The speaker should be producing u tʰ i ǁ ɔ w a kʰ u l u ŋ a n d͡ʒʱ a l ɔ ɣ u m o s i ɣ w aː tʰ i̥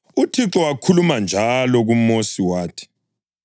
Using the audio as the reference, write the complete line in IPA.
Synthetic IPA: u tʰ i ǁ ɔ w a kʰ u l u m a n d͡ʒʱ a l ɔ ɣ u m o s i w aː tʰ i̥

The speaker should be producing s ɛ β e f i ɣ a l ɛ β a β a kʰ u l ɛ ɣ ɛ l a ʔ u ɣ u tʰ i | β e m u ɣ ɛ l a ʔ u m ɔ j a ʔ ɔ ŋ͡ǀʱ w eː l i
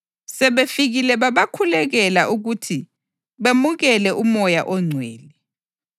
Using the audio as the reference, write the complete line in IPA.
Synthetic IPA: s ɛ β e f i ɣ i l ɛ β a β a kʰ u l ɛ ɣ ɛ l a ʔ u ɣ u tʰ i | β e m u ɣ ɛ l ɛ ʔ u m ɔ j a ʔ ɔ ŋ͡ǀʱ w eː l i

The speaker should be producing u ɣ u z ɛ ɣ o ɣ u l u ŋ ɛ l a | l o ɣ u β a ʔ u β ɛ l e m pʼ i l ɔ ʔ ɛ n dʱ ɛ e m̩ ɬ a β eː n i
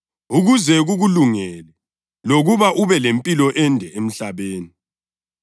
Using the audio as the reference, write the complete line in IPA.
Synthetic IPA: u ɣ u z ɛ ɣ u ɣ u l u ŋ ɛ l ɛ | l o ɣ u β a ʔ u β ɛ l e m pʼ i l ɔ ʔ ɛ n dʱ ɛ e m̩ ɬ a β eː n i

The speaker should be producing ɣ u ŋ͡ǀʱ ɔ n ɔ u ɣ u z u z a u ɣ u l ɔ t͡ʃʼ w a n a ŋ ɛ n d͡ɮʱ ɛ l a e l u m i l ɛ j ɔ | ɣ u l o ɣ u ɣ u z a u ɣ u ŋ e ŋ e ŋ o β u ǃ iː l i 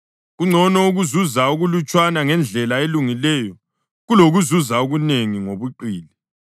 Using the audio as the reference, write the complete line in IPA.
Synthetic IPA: ɣ u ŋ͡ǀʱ ɔ n ɔ u ɣ u z u z a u ɣ u l u t͡ʃʼ w a n a ŋ ɛ n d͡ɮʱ ɛ l a e l u ŋ i l ɛ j ɔ | ɣ u l o ɣ u z u z a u ɣ u n e ŋ i ŋ o β u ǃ iː l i

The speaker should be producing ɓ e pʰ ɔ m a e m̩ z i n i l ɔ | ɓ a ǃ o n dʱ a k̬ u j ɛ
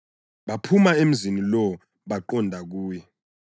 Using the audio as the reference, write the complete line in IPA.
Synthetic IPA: ɓ a pʰ u m a e m̩ z i n i l ɔ | ɓ a ǃ ɔ n dʱ a k̬ uː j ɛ

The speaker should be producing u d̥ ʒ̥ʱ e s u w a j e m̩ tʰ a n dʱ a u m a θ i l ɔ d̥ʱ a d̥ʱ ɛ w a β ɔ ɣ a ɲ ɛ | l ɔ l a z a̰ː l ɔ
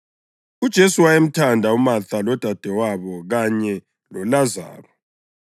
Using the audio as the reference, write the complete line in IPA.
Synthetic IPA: u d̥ ʒ̥ʱ e s u w a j e m̩ tʰ a n dʱ a u m a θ a l ɔ d̥ʱ a d̥ʱ ɛ w a β ɔ ɣ a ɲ ɛ | l ɔ l a z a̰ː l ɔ

